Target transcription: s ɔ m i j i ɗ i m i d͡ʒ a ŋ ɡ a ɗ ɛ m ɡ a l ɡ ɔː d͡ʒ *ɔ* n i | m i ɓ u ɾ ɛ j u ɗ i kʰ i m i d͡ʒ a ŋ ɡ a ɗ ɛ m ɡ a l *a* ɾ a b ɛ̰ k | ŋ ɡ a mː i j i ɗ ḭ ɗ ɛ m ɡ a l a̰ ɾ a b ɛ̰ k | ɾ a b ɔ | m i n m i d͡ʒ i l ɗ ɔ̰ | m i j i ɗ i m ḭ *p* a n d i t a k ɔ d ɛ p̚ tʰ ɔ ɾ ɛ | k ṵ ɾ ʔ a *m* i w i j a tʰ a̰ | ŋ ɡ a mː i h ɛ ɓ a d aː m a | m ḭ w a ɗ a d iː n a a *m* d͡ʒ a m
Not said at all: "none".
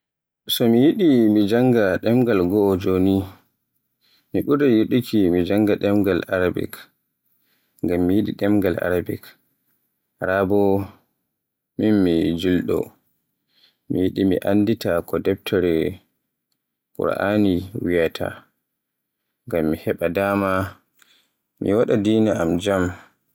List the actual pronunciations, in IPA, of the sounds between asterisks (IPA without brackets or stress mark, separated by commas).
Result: o, a, ʔ, n, m